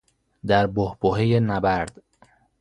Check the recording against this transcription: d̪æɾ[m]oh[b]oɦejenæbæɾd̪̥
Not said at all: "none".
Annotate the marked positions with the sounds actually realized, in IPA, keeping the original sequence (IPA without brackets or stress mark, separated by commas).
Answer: b, b